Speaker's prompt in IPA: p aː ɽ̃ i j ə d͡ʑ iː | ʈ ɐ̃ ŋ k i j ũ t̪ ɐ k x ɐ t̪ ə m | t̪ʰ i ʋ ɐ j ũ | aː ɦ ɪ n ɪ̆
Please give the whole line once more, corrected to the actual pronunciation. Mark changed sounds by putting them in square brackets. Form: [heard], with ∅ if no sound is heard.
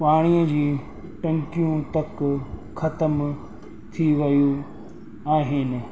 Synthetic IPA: p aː ɽ̃ i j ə d͡ʑ iː | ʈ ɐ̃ ŋ k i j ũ t̪ ɐ k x ɐ t̪ ə m | t̪ʰ i ʋ ɐ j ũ | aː ɦ ɪ n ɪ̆